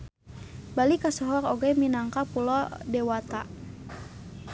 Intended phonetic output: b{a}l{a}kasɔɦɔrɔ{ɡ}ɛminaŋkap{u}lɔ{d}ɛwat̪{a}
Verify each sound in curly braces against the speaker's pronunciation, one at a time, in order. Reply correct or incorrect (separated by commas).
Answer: correct, incorrect, correct, correct, correct, correct